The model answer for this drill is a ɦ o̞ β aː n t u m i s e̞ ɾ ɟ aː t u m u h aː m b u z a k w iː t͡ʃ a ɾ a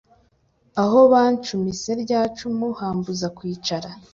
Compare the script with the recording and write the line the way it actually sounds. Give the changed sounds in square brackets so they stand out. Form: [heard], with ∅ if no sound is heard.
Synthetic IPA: a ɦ o̞ β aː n [t͡ʃ] u m i s e̞ ɾ ɟ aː [t͡ʃ] u m u h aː m b u z a k w iː t͡ʃ a ɾ a

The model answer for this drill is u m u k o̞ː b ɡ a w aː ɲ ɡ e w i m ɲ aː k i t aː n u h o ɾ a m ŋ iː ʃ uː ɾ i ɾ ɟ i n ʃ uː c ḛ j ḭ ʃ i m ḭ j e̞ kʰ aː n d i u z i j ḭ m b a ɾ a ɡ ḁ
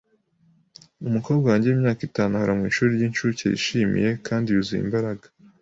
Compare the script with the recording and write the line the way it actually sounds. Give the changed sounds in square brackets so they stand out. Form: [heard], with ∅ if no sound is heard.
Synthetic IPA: u m u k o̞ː b ɡ a w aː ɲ [ɟ] e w i m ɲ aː k i t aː n u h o ɾ a m ŋ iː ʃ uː ɾ i ɾ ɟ i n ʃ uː c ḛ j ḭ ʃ i m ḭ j e̞ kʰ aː n d i u z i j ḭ m b a ɾ a ɡ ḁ

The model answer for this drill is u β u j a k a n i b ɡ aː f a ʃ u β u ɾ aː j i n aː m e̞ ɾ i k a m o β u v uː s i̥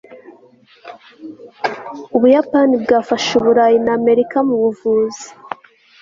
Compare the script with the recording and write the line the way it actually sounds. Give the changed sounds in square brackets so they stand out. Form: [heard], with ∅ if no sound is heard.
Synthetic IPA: u β u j a [p] a n i b ɡ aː f a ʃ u β u ɾ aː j i n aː m e̞ ɾ i k a m [u] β u v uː [z] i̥

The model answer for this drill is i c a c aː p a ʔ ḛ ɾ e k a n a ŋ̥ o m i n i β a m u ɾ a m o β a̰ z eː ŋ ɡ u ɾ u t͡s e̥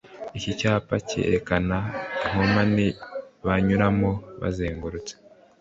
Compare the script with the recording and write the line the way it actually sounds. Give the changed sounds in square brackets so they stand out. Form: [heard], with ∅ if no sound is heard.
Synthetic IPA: i c [i] c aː p a [c] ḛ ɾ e k a n a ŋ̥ o m [a] n i β a [ɲ] u ɾ a m o β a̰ z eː ŋ ɡ u ɾ u t͡s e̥

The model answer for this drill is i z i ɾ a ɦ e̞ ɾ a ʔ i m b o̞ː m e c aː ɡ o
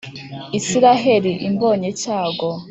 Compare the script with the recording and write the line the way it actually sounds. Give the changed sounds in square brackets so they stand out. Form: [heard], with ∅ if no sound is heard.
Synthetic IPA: i [s] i ɾ a ɦ e̞ ɾ [i] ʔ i m b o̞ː [ɲ] e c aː ɡ o

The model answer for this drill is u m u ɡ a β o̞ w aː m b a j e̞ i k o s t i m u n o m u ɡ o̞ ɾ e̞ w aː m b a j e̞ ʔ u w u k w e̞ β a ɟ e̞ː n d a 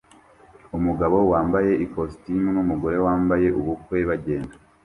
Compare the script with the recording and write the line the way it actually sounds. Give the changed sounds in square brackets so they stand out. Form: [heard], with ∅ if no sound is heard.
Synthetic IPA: u m u ɡ a β o̞ w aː m b a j e̞ i k o s t i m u n [u] m u ɡ o̞ ɾ e̞ w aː m b a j e̞ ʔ u [β] u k w e̞ β a ɟ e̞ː n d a

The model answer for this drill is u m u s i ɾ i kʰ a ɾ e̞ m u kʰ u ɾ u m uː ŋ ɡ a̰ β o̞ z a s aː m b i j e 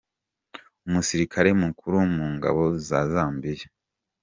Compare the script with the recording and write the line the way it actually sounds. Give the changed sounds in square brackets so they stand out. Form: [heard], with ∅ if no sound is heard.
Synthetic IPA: u m u s i ɾ i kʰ a ɾ e̞ m u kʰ u ɾ u m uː ŋ ɡ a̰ β o̞ z a [z] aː m b i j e

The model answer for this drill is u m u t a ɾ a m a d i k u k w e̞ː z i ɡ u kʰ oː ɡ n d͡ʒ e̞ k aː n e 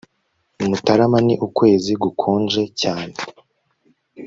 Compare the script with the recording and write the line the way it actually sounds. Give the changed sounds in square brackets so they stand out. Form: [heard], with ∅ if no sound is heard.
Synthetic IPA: u m u t a ɾ a m a [n] i [ʔ] u k w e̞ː z i ɡ u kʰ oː [∅] n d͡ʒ e̞ [c] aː n e

